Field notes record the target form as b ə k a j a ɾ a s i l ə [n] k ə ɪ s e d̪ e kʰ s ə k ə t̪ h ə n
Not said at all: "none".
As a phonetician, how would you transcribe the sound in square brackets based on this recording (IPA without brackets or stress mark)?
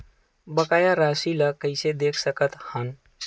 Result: none